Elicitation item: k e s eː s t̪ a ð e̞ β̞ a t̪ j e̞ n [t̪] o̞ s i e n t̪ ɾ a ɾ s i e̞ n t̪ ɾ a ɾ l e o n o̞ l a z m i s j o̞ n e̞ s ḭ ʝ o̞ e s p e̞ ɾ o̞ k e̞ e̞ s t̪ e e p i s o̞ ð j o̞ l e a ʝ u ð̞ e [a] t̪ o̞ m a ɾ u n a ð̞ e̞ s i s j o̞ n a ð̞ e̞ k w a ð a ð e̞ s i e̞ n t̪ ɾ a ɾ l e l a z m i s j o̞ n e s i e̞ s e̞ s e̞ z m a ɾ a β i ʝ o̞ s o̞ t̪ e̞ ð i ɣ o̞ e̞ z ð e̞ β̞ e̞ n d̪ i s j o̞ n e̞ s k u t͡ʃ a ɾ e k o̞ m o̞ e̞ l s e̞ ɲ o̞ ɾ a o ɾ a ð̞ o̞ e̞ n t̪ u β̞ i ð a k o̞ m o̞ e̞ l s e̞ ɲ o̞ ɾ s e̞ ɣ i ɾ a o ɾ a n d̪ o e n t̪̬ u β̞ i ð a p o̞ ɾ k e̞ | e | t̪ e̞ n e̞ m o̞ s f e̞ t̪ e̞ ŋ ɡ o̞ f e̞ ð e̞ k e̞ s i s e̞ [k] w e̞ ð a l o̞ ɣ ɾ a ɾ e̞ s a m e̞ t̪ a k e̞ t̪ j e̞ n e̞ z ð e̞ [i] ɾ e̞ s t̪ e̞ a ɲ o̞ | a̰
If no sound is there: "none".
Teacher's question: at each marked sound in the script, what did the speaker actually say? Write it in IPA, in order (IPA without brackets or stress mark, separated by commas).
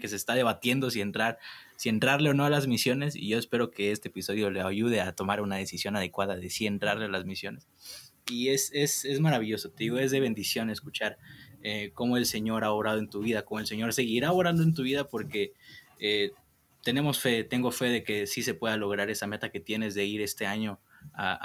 d̪, a, p, i